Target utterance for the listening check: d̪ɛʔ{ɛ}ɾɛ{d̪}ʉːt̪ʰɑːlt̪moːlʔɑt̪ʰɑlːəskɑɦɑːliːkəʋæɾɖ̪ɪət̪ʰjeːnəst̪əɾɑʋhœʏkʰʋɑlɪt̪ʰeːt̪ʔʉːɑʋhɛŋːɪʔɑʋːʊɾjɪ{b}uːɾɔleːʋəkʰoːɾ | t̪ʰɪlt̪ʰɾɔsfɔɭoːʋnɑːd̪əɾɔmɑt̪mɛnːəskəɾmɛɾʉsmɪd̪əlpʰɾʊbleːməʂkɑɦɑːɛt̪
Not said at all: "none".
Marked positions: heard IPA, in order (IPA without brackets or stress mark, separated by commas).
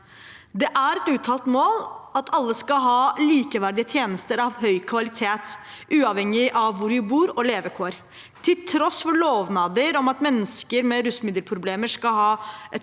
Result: æ, t̪, b